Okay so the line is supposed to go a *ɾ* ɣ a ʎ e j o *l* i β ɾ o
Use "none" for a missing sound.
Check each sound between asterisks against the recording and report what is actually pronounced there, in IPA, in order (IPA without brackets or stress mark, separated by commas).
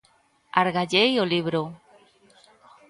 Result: ɾ, l